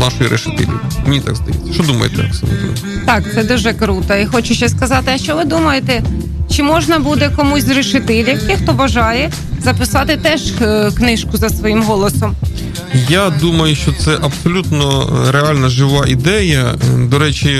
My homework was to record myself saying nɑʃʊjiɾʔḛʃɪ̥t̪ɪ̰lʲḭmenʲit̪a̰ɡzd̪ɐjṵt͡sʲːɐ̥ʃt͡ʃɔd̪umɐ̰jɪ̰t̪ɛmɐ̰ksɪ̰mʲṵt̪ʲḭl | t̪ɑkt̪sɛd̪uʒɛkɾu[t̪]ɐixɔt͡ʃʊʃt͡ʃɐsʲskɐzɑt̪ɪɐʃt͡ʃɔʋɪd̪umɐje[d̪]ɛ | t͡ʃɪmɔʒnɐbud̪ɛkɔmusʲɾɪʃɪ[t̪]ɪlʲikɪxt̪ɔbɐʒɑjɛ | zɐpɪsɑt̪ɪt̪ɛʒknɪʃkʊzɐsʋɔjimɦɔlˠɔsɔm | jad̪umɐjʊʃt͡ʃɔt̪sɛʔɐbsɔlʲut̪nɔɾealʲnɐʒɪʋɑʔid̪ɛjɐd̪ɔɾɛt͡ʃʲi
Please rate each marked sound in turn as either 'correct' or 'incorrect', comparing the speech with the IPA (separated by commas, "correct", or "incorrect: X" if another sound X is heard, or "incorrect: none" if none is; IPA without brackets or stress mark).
correct, incorrect: t̪, correct